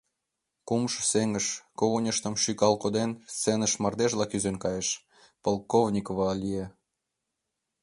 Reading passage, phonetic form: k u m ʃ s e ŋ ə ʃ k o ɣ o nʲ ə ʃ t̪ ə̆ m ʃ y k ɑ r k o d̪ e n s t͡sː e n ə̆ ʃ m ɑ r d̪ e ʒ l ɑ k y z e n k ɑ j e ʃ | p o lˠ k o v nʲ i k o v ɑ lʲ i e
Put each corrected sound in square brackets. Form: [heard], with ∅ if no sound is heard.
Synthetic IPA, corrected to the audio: k u m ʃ s e ŋ ə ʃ k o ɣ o nʲ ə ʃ t̪ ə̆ m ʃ y k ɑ [l] k o d̪ e n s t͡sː e n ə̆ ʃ m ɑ r d̪ e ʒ l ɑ k y z e n k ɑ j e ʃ | p o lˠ k o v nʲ i k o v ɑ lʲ i e